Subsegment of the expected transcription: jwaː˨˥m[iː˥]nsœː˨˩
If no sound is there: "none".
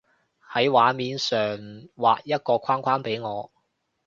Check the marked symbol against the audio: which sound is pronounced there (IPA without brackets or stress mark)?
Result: iː˨˧